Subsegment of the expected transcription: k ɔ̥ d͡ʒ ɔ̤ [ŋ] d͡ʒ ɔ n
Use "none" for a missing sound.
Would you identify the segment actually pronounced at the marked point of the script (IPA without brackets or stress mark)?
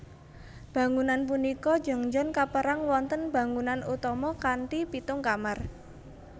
ŋ